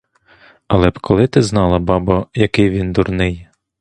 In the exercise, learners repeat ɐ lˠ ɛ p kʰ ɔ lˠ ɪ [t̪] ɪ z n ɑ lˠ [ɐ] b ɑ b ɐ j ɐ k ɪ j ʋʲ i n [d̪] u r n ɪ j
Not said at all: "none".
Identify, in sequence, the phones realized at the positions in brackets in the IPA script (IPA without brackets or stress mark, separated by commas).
t̪, ɐ, d̪